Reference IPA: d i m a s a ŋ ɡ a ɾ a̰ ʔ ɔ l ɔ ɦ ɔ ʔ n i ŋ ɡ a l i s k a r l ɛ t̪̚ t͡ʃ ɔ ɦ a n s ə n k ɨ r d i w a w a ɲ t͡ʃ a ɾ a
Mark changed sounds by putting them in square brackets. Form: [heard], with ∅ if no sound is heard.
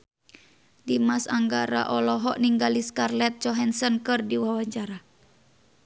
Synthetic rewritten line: d i m a s a ŋ ɡ a ɾ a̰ ʔ ɔ l ɔ ɦ ɔ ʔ n i ŋ ɡ a l i s k a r l ɛ t̪̚ t͡ʃ ɔ ɦ [ɛ] n s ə n k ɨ r d i w a w a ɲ t͡ʃ a ɾ a